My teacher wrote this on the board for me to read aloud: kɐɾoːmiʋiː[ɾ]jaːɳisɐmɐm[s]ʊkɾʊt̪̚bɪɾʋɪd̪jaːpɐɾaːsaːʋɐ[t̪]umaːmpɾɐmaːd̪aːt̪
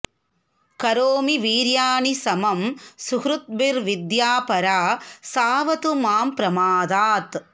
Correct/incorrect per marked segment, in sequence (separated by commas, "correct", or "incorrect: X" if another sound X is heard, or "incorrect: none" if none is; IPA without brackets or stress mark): correct, correct, correct